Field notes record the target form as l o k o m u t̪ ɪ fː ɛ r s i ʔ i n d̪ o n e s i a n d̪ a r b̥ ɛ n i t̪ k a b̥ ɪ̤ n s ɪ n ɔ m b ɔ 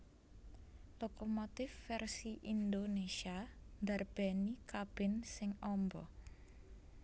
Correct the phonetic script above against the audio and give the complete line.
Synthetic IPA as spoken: l o k o m o t̪ ɪ fː ɛ r s i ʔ i n d̪ o n e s i a n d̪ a r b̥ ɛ n i k a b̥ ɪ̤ n s ɪ ŋ ɔ m b ɔ